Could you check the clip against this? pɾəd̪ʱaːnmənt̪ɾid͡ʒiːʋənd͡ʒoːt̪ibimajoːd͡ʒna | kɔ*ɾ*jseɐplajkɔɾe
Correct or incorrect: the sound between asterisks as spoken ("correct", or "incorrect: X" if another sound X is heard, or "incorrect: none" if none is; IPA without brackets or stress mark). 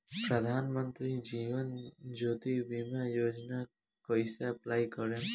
incorrect: none